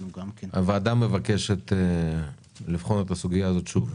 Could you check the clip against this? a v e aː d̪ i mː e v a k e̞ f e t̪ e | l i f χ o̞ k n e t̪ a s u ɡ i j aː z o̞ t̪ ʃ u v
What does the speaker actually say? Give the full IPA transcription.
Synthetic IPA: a v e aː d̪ a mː e v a k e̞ ʃ e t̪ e | l i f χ o̞ n e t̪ a s u ɡ i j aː z o̞ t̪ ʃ u v

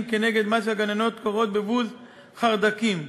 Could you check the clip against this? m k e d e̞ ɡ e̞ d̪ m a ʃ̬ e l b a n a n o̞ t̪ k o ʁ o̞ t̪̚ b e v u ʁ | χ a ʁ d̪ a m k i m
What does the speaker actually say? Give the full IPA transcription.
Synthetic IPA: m k e n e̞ ɡ e̞ d̪ m a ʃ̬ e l ɡ a n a n o̞ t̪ k o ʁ o̞ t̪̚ b e v u z | χ a ʁ d̪ a k i m

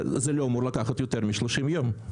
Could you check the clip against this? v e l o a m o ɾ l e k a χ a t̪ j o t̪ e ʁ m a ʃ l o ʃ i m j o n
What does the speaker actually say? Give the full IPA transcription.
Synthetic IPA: z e l o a m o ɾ l a k a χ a t̪ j o t̪ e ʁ m i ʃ l o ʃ i m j o m

